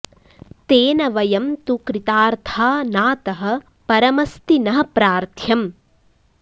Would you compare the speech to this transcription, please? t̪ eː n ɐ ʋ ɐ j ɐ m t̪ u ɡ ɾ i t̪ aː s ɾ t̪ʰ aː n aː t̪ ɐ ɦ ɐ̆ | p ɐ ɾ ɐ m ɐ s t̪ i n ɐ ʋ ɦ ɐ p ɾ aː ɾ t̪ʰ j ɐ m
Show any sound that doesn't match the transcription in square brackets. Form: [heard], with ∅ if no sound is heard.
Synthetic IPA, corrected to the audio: t̪ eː n ɐ ʋ ɐ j ɐ m t̪ u [k] ɾ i t̪ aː [∅] ɾ t̪ʰ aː n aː t̪ ɐ ɦ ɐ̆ | p ɐ ɾ ɐ m ɐ s t̪ i n ɐ [∅] ɦ ɐ p ɾ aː ɾ t̪ʰ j ɐ m